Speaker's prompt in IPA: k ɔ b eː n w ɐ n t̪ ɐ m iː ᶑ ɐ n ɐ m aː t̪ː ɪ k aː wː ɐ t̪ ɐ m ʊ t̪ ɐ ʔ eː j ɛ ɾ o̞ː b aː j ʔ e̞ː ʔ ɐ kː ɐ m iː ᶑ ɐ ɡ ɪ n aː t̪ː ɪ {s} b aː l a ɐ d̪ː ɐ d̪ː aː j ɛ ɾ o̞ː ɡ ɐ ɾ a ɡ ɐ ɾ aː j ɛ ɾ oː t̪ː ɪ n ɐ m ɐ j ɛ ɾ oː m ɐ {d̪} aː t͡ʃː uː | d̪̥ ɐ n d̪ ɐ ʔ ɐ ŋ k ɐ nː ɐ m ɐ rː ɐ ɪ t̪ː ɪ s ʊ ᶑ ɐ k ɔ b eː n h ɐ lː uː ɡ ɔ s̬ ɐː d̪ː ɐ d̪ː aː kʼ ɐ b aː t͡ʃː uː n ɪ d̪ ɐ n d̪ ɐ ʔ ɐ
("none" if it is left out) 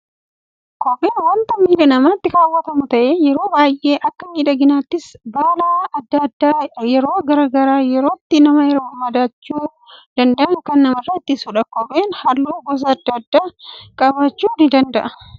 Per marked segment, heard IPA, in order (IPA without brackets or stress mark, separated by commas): s, d̪